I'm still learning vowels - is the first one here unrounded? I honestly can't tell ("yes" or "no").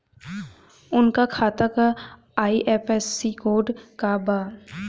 no